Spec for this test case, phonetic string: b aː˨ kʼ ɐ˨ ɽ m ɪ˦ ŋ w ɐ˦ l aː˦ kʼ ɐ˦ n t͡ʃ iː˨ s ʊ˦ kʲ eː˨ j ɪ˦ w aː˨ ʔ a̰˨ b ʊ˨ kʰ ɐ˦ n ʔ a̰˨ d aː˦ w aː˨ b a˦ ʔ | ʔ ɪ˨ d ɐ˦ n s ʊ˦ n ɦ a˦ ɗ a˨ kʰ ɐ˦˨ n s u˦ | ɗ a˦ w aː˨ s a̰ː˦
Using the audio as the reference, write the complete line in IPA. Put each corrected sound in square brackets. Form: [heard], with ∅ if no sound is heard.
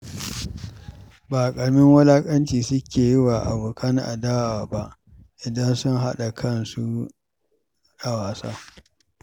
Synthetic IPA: b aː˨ kʼ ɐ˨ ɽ m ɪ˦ ŋ w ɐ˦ l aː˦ kʼ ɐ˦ n t͡ʃ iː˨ s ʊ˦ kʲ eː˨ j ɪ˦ w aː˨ ʔ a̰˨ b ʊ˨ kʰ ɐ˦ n ʔ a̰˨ d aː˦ w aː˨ b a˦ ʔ | ʔ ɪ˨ d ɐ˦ n s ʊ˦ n ɦ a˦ ɗ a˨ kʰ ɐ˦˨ n s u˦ | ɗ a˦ w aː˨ s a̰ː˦